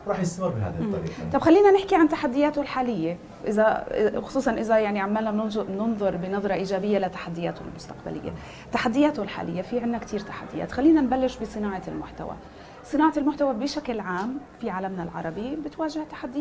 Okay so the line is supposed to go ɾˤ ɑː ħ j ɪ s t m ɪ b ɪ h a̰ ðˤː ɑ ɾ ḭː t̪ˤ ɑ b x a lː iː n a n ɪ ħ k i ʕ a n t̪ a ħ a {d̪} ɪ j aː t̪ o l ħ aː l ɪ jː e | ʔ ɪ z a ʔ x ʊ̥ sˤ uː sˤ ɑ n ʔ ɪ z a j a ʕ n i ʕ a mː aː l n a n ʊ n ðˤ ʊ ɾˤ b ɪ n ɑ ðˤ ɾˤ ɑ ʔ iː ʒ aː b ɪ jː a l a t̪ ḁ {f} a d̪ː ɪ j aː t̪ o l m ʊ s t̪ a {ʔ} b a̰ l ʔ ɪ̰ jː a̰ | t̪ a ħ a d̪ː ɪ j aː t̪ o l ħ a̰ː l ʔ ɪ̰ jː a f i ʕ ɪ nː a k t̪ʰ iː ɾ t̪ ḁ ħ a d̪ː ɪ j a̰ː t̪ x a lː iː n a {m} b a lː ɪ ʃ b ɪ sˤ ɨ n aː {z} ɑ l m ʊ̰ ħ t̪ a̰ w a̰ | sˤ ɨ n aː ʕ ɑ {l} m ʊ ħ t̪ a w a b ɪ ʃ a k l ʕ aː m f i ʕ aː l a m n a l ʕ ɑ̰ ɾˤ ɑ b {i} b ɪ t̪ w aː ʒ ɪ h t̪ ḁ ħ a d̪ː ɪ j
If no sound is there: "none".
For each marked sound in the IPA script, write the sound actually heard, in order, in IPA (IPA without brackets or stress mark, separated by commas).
d̪ː, ħ, q, n, ʕ, l, i